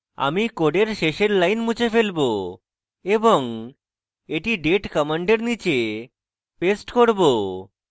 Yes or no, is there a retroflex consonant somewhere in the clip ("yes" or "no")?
yes